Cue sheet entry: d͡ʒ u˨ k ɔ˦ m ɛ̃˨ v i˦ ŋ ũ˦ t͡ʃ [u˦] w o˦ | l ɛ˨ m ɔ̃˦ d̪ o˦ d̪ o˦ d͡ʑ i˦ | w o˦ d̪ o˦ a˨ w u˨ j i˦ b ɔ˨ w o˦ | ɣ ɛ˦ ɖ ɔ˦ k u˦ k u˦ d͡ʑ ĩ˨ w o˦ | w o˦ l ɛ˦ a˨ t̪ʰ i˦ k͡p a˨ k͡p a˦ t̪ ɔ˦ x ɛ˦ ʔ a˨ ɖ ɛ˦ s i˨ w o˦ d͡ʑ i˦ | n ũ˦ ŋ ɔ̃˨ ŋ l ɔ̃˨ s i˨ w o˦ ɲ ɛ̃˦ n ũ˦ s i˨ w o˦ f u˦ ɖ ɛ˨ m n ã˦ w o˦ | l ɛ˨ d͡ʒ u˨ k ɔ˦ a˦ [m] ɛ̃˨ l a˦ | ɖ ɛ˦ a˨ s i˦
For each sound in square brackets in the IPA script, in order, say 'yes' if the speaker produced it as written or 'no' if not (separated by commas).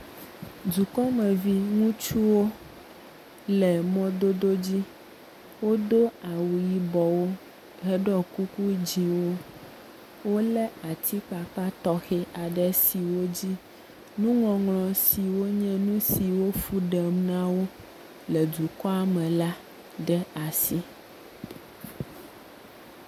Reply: yes, yes